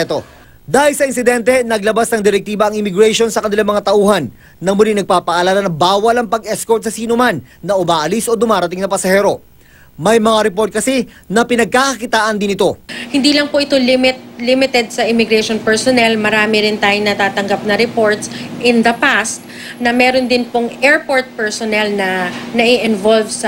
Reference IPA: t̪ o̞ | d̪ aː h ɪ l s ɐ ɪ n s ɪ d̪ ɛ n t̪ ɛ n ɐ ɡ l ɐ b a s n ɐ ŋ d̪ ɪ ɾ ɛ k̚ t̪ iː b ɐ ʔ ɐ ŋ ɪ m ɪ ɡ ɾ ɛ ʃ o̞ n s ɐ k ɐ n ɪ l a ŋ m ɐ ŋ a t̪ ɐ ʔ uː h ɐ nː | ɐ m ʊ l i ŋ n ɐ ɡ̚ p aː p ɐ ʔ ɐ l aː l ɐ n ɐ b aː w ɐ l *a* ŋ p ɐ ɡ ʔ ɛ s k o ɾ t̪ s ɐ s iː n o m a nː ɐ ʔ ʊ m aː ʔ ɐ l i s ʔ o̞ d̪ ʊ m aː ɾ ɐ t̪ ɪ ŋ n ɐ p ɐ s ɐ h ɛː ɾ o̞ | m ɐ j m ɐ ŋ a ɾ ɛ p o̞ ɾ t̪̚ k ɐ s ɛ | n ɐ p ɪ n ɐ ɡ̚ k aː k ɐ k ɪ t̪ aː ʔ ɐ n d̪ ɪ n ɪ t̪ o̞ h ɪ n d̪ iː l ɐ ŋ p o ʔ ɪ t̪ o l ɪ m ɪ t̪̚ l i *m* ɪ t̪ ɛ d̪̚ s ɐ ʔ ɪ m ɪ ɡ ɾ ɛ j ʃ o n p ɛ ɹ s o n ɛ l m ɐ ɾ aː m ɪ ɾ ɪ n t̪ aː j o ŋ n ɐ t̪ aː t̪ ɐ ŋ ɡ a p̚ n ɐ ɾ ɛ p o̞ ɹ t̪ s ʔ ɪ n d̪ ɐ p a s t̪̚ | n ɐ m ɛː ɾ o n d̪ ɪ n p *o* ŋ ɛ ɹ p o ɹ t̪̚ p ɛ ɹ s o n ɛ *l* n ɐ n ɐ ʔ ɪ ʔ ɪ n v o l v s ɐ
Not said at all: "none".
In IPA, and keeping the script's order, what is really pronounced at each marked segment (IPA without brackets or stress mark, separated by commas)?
ɐ, m, o, l